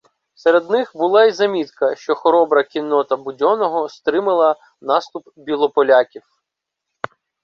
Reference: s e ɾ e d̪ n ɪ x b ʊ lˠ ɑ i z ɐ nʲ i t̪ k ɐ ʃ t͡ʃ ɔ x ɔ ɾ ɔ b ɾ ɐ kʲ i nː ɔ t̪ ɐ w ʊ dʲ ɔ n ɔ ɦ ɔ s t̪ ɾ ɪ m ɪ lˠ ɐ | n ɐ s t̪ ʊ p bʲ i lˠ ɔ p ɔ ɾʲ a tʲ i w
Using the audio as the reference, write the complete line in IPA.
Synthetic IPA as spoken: s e ɾ e d̪ n ɪ x b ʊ lˠ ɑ i z ɐ mʲ i t̪ k ɐ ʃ t͡ʃ ɔ x ɔ ɾ ɔ b ɾ ɐ kʲ i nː ɔ t̪ ɐ b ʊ dʲ ɔ n ɔ ɦ ɔ s t̪ ɾ ɪ m ɪ lˠ ɐ | n ɑ s t̪ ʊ p bʲ i lˠ ɔ p ɔ lʲ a kʲ i w